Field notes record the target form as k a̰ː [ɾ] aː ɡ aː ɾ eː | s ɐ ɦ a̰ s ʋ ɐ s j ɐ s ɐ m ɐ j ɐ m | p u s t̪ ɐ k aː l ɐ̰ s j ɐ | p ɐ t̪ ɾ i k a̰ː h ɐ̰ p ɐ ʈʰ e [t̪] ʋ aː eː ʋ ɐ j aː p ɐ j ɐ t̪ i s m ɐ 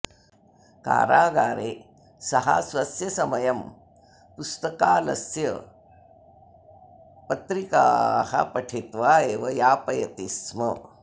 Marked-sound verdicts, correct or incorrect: correct, correct

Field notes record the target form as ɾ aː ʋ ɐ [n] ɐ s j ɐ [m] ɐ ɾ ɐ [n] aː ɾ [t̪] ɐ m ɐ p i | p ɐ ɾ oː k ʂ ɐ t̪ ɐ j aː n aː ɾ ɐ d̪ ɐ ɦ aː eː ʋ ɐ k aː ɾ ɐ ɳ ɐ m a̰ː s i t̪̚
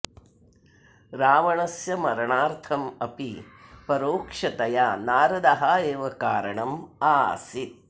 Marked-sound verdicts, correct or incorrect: incorrect, correct, incorrect, incorrect

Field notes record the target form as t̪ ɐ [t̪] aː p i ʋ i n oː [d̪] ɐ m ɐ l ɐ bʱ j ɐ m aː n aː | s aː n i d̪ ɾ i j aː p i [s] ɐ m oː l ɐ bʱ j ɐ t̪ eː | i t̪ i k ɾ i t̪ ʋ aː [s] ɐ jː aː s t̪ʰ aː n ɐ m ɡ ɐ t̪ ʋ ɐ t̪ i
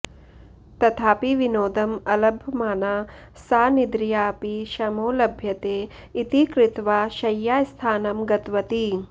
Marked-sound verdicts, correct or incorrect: incorrect, correct, incorrect, incorrect

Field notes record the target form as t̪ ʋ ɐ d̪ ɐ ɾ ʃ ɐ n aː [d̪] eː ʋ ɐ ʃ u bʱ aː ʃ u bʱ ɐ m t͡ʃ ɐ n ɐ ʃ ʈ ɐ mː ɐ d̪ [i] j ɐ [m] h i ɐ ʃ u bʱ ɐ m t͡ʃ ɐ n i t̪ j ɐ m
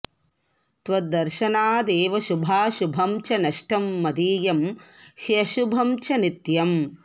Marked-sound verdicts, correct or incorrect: correct, incorrect, correct

